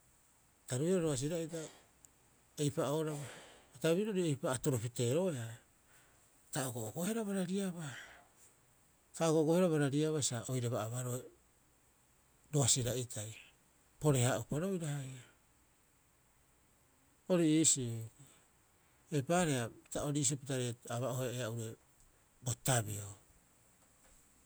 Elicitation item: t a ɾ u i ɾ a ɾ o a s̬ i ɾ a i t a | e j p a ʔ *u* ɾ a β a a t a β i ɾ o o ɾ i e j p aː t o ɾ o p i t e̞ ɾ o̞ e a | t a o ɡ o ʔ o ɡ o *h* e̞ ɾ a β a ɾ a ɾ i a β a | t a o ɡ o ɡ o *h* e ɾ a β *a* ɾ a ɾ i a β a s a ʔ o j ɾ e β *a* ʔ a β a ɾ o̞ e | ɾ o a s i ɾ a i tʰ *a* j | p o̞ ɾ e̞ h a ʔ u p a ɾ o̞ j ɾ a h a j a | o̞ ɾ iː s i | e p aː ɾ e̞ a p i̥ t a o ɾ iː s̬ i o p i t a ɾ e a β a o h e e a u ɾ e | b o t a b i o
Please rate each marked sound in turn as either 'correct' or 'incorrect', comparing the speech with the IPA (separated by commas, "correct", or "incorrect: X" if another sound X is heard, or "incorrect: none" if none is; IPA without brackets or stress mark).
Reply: incorrect: o, correct, correct, correct, correct, correct